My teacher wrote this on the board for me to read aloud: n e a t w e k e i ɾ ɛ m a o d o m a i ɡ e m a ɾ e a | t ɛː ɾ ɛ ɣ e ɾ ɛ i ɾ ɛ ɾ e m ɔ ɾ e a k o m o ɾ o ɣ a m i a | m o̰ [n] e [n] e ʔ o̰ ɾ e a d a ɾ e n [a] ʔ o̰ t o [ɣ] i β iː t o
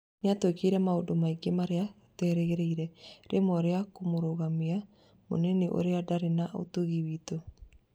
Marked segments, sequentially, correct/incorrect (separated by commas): correct, correct, correct, correct